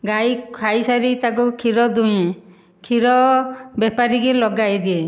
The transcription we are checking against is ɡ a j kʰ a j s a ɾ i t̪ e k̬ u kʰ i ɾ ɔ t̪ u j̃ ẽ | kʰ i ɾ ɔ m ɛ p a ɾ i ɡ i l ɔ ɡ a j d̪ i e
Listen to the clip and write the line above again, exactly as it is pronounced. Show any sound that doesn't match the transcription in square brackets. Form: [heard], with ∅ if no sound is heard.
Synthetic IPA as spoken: ɡ a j kʰ a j s a ɾ i t̪ [a] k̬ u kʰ i ɾ ɔ [d̪] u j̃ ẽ | kʰ i ɾ ɔ [b] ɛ p a ɾ i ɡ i l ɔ ɡ a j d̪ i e

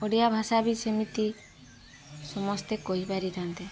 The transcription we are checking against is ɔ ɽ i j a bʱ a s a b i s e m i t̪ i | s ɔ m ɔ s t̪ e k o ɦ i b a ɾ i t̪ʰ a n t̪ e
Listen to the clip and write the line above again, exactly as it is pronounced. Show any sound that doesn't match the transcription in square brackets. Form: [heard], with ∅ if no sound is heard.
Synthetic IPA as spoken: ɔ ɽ i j a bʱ a s a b i s e m i t̪ i | s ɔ m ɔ s t̪ e k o ɦ i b a ɾ i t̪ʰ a n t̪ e

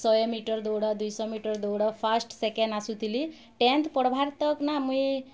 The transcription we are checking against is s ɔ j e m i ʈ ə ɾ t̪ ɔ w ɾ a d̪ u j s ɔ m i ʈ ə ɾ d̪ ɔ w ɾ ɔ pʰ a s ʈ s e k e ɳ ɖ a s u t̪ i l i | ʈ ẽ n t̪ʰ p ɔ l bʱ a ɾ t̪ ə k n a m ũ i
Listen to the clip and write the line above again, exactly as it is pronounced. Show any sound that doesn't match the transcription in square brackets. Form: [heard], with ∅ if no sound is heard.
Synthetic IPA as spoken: s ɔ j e m i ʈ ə ɾ [d̪] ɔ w [ɽ] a d̪ u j s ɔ m i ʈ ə ɾ d̪ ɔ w [ɽ] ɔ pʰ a s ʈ s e k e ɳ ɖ a s u t̪ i l i | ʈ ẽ n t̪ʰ p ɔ [ɽ] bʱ a ɾ t̪ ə k n a m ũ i

